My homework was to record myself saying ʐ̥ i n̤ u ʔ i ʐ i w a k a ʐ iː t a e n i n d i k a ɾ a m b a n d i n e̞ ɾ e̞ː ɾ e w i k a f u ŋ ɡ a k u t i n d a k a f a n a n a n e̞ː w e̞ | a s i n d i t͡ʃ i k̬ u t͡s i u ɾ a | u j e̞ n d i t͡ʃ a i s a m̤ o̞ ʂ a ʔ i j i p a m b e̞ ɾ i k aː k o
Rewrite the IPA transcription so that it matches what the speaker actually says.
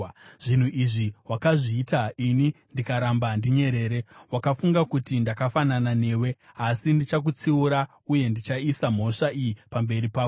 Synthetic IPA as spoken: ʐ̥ i n̤ u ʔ i ʐ i w a k a ʐ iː t a i n i n d i k a ɾ a m b a n d i ɲ e̞ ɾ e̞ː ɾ e w a k a f u ŋ ɡ a k u t i n d a k a f a n a n a n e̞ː w e̞ | a s i n d i t͡ʃ a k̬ u t͡s i u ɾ a | u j e̞ n d i t͡ʃ a i s a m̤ o̞ ʂ a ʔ i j i p a m b e̞ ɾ i p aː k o